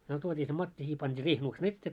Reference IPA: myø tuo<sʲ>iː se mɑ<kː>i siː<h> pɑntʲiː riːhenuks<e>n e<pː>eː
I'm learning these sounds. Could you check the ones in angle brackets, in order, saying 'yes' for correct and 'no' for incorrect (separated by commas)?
no, no, yes, yes, no